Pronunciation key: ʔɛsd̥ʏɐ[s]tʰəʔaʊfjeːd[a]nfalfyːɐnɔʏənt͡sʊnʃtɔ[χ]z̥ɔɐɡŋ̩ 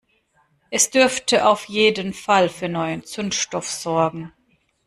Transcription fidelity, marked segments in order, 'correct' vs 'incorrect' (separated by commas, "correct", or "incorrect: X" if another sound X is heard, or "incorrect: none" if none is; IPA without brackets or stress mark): incorrect: f, incorrect: ə, incorrect: f